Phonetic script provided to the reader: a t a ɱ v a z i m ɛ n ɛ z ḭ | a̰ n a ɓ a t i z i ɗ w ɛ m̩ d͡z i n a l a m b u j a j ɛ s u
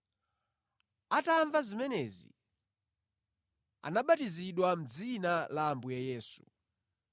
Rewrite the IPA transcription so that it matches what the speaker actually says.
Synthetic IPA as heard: a t a ɱ v a z i m ɛ n ɛ z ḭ | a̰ n a ɓ a t i z i ɗ w a m̩ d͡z i n a l a m b u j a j ɛː s u